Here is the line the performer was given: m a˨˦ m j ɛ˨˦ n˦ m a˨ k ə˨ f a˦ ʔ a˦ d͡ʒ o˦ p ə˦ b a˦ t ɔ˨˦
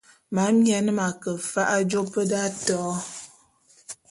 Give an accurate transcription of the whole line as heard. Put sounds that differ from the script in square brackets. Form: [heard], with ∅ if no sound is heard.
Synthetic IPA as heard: m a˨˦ m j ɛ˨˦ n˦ m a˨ k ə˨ f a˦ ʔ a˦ d͡ʒ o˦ p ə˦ [d] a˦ t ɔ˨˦